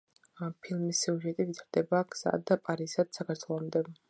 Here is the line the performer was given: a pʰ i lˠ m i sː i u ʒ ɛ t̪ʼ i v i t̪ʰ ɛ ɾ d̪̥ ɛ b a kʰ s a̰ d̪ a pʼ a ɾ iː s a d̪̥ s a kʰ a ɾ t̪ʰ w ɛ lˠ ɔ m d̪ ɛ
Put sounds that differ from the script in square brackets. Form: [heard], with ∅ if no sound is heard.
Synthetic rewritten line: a pʰ i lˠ m i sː i u ʒ ɛ t̪ʼ i v i t̪ʰ [a] ɾ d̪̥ ɛ b a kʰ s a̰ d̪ a pʼ a ɾ [i] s a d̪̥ s a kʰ a ɾ t̪ʰ w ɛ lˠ ɔ m d̪ ɛ